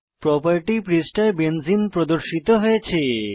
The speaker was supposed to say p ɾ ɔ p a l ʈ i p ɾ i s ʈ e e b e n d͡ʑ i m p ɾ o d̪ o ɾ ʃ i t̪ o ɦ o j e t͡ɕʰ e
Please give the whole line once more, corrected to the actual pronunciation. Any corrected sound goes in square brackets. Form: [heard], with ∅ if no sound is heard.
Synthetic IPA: p ɾ ɔ p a [ɾ] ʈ i p ɾ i s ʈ [a] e b e n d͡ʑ i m p ɾ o d̪ o ɾ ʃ i t̪ o ɦ o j e t͡ɕʰ e